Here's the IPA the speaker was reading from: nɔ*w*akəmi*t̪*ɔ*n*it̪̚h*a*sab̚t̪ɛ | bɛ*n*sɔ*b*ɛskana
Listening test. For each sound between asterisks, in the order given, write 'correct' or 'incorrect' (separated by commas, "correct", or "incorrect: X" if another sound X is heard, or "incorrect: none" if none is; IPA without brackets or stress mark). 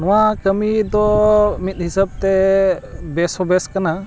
correct, incorrect: d̪, incorrect: m, incorrect: i, incorrect: none, correct